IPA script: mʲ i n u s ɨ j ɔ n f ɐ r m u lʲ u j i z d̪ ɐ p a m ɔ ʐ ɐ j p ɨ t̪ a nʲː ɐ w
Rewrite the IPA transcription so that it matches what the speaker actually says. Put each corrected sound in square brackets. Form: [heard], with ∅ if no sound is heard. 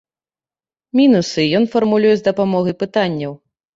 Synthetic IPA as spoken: mʲ i n u s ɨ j ɔ n f ɐ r m u lʲ u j [ɛ] z d̪ ɐ p a m ɔ [ɣ] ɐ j p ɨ t̪ a nʲː ɐ w